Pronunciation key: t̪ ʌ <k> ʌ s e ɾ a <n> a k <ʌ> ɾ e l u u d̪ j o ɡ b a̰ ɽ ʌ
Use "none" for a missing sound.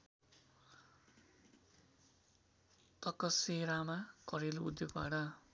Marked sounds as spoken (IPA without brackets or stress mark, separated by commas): k, m, ʌ